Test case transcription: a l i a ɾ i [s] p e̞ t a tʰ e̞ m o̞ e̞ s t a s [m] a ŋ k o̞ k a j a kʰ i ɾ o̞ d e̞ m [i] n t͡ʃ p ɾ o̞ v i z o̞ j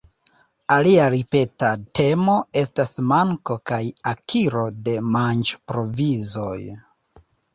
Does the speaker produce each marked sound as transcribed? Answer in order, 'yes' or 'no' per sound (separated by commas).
no, yes, no